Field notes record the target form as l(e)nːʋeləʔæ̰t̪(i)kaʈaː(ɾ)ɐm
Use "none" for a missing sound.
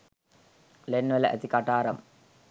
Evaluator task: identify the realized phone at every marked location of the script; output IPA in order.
e, i, ɾ

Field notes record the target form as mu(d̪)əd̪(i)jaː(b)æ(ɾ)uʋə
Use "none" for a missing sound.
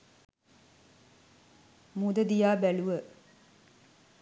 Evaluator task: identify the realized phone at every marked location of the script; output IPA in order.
d̪, i, b, l

